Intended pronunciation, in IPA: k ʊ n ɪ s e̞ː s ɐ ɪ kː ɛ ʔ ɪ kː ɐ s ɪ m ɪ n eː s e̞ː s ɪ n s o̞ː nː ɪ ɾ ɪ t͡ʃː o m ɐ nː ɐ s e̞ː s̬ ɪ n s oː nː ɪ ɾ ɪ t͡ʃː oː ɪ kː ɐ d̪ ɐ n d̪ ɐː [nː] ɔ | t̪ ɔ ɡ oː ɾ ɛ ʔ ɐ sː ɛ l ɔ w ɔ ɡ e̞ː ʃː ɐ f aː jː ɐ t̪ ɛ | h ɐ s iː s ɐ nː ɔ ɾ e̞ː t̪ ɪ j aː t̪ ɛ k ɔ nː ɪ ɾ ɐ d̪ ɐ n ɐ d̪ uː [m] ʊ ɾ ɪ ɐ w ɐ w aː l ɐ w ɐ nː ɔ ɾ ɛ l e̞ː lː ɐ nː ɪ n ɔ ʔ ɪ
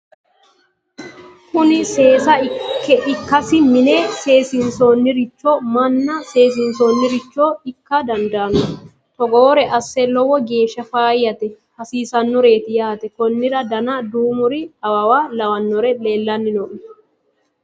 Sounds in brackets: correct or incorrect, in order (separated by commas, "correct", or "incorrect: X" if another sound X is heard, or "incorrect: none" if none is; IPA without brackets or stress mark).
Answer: incorrect: n, correct